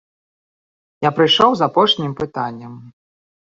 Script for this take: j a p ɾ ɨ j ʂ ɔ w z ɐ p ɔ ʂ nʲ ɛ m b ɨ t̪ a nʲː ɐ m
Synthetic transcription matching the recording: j a p ɾ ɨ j ʂ ɔ w z a p ɔ ʂ nʲ i m p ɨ t̪ a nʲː ɐ m